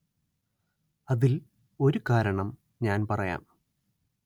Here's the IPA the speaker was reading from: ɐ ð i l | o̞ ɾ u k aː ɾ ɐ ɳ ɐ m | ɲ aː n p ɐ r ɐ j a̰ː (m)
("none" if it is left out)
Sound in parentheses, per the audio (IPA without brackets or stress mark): m